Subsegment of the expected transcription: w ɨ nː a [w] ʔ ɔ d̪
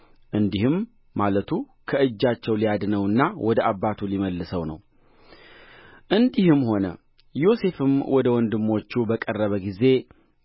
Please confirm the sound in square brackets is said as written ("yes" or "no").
yes